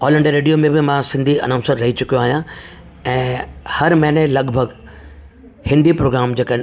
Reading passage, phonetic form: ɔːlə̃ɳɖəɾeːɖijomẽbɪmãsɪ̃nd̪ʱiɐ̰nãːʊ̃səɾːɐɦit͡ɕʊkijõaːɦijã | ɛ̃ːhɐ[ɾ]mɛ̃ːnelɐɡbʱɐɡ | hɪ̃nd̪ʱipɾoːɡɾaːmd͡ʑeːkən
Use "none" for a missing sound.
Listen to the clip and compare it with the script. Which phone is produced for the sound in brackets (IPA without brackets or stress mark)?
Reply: ɾ